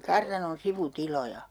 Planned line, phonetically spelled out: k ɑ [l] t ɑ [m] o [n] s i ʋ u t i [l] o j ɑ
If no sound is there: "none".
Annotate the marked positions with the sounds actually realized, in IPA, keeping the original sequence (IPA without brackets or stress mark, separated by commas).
r, n, n, l